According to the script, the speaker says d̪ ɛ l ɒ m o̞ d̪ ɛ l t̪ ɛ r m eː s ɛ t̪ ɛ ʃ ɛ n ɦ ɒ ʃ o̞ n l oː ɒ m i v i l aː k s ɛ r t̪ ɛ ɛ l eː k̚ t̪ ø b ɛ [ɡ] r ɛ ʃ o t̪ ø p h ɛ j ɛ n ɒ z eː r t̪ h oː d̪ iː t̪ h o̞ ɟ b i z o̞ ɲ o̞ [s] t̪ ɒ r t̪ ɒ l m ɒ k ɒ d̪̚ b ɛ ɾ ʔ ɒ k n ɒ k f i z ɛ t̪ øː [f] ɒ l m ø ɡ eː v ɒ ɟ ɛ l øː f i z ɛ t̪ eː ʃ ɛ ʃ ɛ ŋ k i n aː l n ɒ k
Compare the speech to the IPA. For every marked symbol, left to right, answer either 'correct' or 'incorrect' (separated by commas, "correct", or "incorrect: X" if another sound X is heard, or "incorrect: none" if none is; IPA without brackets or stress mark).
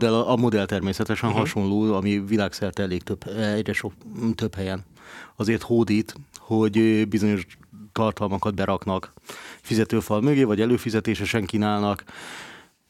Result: incorrect: ɟ, incorrect: ʃ, correct